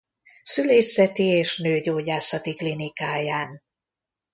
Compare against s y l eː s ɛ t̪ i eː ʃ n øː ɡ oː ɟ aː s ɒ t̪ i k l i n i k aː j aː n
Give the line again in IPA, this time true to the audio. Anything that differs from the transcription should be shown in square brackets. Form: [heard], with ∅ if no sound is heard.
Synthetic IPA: s y l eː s ɛ t̪ i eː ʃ n øː [ɟ] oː ɟ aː s ɒ t̪ i k l i n i k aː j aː n

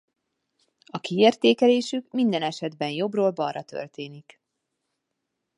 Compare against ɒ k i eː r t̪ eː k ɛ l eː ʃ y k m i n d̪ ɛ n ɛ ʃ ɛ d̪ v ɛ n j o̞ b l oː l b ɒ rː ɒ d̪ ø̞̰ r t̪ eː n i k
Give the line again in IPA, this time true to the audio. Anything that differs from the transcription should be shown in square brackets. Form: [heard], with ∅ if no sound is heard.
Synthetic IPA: ɒ k i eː r t̪ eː k ɛ l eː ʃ y k m i n d̪ ɛ n ɛ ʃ ɛ d̪ [b] ɛ n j o̞ b [r] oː l b ɒ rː ɒ [t̪] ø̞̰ r t̪ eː n i k

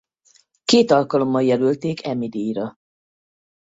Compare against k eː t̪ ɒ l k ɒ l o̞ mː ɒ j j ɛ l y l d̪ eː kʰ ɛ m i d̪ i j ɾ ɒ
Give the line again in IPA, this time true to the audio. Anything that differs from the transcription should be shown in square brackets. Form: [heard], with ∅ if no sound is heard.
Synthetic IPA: k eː t̪ ɒ l k ɒ l o̞ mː ɒ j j ɛ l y l [t̪] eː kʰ ɛ m i d̪ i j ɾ ɒ

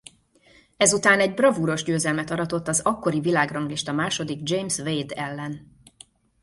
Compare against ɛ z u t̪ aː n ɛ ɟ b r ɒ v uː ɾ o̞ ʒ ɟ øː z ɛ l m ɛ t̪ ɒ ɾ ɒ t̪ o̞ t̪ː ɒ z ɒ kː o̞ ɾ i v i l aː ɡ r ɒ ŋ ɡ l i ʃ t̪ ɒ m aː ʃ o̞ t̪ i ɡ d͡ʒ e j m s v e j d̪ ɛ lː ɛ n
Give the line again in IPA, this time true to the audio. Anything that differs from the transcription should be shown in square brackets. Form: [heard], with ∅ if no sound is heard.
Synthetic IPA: ɛ z u t̪ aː n ɛ ɟ b r ɒ v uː ɾ o̞ ʒ ɟ øː z ɛ l m ɛ t̪ ɒ ɾ ɒ t̪ o̞ t̪ː ɒ z ɒ kː o̞ ɾ i v i l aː ɡ r ɒ ŋ ɡ l i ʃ t̪ ɒ m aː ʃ o̞ [d̪] i ɡ d͡ʒ e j m s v e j d̪ ɛ lː ɛ n

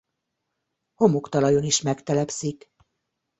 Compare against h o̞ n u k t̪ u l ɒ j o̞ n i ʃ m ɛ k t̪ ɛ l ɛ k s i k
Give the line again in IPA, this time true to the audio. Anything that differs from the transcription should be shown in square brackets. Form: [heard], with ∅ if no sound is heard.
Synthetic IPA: h o̞ [m] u k t̪ [ɒ] l ɒ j o̞ n i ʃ m ɛ k t̪ ɛ l ɛ [p] s i k

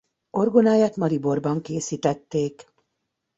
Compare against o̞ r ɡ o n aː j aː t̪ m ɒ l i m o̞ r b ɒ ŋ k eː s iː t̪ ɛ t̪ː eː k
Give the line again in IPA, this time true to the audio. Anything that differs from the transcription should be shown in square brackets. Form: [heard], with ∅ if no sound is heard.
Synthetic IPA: o̞ r ɡ o n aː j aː t̪ m ɒ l i [b] o̞ r b ɒ ŋ k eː s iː t̪ ɛ t̪ː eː k

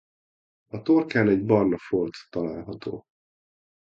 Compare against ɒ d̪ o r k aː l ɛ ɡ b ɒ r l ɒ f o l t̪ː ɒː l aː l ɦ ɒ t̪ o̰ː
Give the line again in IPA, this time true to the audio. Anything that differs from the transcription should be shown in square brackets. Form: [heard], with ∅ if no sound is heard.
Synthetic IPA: ɒ [t̪] o r k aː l ɛ [ɟ] b ɒ r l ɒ f o l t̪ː [ɒ] l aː l ɦ ɒ t̪ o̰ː

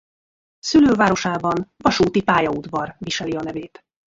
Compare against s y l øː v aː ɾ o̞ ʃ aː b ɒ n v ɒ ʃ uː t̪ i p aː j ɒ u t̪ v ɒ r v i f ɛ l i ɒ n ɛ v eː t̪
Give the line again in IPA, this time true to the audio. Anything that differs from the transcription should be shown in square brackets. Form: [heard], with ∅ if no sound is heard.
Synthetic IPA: s y l øː v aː ɾ o̞ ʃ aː b ɒ n v ɒ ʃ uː t̪ i p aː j ɒ u [d̪] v ɒ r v i [ʃ] ɛ l i ɒ n ɛ v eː t̪

